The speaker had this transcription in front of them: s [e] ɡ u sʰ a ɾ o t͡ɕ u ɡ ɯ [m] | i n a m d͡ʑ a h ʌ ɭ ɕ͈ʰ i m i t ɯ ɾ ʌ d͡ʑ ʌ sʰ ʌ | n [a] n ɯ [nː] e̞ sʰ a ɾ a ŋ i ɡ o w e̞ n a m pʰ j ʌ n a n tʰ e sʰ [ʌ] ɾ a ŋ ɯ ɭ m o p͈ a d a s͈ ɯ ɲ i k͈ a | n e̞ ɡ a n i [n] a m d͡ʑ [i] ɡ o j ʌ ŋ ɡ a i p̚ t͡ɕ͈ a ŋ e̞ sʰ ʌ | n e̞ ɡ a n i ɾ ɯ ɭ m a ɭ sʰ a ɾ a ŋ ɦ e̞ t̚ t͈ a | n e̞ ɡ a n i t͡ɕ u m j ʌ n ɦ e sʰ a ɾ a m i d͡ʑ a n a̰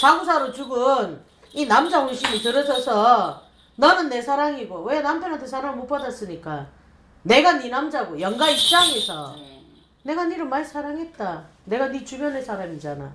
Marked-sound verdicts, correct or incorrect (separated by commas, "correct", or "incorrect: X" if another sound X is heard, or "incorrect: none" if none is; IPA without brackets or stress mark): incorrect: a, incorrect: n, incorrect: ʌ, correct, incorrect: a, correct, incorrect: a